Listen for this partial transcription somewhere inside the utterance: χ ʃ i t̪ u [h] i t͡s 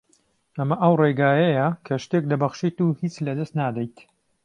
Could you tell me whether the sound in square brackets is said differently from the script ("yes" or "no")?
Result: no